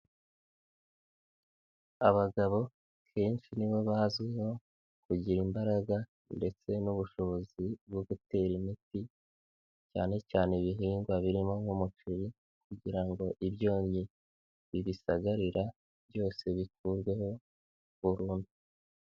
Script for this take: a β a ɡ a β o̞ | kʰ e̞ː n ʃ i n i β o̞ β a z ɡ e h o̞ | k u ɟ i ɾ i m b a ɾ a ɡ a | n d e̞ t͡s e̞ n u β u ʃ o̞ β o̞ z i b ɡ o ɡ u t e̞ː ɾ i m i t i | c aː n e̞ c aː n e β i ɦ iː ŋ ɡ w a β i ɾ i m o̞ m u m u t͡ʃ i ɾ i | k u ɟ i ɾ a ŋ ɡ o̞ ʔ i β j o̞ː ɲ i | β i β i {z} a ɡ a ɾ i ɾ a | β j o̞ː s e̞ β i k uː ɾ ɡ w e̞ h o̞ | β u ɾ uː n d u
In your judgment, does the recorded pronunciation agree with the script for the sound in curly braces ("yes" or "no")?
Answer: no